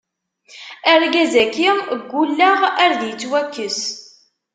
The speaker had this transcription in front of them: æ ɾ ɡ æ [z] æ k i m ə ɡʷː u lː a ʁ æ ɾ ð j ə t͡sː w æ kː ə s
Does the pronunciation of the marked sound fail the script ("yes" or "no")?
no